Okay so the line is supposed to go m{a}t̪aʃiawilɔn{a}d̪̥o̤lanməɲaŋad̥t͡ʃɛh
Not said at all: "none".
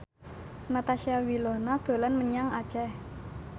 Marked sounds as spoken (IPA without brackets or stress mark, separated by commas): a, a